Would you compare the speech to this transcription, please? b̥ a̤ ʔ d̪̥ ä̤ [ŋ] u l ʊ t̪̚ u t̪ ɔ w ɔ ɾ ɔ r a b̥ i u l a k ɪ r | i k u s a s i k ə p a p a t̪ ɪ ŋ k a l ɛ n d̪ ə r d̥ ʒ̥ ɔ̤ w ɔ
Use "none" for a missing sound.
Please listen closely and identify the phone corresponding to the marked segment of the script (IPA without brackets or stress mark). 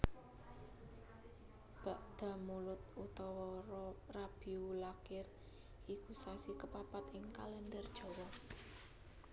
m